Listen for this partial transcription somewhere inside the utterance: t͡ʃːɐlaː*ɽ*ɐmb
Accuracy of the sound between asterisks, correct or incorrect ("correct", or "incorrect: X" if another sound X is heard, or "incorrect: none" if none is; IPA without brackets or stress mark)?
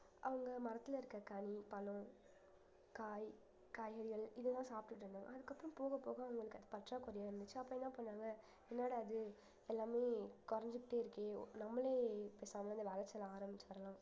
incorrect: ɾ